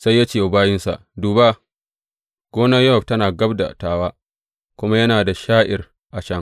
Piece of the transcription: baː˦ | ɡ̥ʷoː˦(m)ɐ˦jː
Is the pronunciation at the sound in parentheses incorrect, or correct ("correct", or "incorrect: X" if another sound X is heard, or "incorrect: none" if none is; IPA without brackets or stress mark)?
incorrect: n